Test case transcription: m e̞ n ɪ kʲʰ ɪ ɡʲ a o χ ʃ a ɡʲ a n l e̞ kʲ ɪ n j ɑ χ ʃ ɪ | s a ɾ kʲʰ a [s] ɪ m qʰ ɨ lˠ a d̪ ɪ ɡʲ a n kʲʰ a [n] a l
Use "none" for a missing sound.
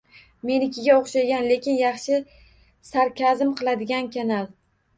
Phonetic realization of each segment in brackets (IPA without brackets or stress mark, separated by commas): z, n